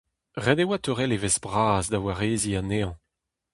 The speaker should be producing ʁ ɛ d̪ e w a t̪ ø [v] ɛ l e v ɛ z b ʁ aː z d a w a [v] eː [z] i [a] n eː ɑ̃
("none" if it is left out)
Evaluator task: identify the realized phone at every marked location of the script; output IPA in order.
ʁ, ʁ, z, a

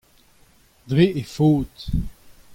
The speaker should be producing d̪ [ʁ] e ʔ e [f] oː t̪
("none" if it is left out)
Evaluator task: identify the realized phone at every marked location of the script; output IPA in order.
ʁ, f

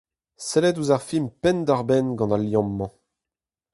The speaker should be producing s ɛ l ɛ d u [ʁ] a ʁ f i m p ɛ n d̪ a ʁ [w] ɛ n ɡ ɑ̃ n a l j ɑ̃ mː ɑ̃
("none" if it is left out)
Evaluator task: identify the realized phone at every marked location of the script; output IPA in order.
z, b

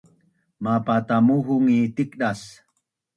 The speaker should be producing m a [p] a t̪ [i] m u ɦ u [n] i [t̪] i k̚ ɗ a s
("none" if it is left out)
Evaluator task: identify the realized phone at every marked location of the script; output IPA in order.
p, a, ŋ, t̪

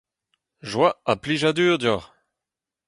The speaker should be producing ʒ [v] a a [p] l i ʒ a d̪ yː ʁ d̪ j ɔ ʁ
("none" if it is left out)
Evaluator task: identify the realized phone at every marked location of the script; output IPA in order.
w, p

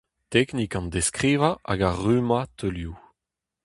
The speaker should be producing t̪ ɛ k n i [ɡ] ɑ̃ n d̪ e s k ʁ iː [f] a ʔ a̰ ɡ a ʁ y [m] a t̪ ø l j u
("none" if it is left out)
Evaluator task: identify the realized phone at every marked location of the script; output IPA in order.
k, v, m

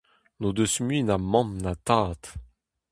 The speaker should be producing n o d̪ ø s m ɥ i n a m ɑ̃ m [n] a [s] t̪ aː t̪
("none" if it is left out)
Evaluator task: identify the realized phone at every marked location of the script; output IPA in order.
n, none

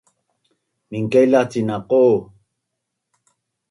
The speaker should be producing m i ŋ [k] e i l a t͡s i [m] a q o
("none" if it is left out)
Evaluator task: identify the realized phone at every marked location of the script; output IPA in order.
k, n

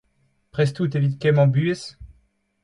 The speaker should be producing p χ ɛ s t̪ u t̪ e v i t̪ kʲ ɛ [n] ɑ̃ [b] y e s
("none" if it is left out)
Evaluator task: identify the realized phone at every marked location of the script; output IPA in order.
m, b

